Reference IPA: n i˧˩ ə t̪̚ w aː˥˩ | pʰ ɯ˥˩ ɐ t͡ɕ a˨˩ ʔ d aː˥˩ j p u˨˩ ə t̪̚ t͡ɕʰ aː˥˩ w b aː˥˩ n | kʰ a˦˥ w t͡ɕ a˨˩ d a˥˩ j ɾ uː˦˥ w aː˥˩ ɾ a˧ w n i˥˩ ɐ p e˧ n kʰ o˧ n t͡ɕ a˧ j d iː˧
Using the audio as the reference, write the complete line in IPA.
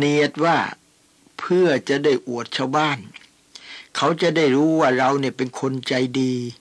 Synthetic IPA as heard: n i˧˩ ə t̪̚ w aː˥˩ | pʰ ɯ˥˩ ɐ t͡ɕ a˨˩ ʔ d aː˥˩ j ʔ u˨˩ ə t̪̚ t͡ɕʰ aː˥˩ w b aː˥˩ n | kʰ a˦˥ w t͡ɕ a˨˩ d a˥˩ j ɾ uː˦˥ w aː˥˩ ɾ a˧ w n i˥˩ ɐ p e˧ n kʰ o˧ n t͡ɕ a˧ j d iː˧